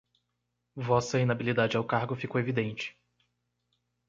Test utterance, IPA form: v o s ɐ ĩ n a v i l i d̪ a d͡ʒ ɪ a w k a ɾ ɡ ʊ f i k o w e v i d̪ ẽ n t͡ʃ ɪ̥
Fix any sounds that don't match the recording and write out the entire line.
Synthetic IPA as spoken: v ɔ s ɐ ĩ n a b i l i d̪ a d͡ʒ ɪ a w k a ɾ ɡ ʊ f i k o w e v i d̪ ẽ n t͡ʃ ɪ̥